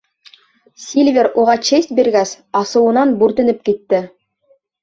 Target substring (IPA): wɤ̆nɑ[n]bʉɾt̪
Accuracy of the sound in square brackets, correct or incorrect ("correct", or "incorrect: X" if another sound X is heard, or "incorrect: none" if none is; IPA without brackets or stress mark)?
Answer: correct